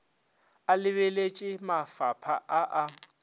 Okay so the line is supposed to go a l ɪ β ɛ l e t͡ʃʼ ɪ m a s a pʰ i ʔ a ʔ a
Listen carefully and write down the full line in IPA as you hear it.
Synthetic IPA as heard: a l ɪ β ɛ l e t͡ʃʼ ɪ m a f a pʰ a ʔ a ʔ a